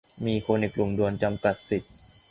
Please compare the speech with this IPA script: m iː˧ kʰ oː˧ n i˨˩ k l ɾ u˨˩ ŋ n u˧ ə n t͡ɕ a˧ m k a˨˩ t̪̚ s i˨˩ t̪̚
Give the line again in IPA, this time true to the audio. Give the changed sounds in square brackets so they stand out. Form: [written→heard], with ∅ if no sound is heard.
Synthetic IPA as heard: m iː˧ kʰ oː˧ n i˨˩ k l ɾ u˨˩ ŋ [n→d] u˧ ə n t͡ɕ a˧ m k a˨˩ t̪̚ s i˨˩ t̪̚

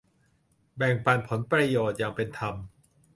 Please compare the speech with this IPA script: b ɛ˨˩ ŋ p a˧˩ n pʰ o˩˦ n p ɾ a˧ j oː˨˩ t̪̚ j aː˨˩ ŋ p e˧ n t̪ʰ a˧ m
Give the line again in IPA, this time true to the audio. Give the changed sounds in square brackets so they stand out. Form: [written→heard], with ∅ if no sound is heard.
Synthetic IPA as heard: b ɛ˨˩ ŋ p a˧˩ n pʰ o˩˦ n p ɾ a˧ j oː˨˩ t̪̚ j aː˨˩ ŋ p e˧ n t̪ʰ a˧ m

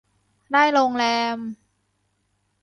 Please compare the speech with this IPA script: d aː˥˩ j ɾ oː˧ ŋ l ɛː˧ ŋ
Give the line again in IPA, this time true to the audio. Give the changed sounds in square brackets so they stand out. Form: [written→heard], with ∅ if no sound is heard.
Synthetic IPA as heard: d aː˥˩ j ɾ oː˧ ŋ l ɛː˧ [ŋ→m]

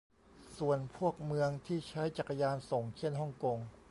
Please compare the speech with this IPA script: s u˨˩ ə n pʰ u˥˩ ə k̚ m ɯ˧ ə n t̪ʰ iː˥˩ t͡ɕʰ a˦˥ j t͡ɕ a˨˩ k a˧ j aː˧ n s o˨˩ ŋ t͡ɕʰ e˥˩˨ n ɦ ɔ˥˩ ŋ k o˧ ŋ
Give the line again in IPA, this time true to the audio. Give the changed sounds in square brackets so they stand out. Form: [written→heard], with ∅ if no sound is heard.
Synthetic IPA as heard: s u˨˩ ə n pʰ u˥˩ ə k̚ m ɯ˧ ə [n→ŋ] t̪ʰ iː˥˩ t͡ɕʰ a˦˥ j t͡ɕ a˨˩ k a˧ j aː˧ n s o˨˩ ŋ t͡ɕʰ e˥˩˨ n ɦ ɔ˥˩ ŋ k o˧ ŋ

